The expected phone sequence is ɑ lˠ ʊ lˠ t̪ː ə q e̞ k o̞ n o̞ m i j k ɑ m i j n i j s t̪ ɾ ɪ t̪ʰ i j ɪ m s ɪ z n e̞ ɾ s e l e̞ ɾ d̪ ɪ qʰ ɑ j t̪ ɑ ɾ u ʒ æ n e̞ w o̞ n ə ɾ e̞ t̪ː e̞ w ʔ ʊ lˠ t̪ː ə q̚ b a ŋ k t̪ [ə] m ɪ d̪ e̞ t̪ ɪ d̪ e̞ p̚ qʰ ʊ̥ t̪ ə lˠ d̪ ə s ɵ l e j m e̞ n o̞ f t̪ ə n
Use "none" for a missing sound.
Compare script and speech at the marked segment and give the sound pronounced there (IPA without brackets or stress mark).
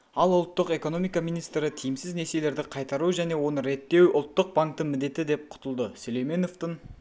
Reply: ə